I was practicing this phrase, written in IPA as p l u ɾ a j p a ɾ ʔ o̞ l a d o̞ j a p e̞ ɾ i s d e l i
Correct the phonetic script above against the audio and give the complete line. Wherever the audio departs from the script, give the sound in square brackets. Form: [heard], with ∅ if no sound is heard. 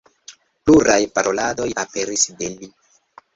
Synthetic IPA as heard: p l u ɾ a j p a ɾ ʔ o̞ l a d o̞ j a p e̞ ɾ i s d e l i